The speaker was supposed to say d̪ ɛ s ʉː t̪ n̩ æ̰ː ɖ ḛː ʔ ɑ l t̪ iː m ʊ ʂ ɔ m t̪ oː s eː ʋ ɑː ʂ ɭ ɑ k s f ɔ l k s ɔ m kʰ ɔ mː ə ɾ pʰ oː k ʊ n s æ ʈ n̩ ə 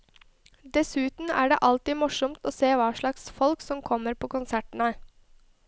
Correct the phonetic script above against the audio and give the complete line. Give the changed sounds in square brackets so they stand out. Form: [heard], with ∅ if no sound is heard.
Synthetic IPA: d̪ ɛ s ʉː t̪ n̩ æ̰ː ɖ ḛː ʔ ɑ l t̪ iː m ʊ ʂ ɔ m t̪ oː s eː ʋ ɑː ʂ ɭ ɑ k s f ɔ l k s ɔ m kʰ ɔ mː ə ɾ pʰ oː k ʊ n s æ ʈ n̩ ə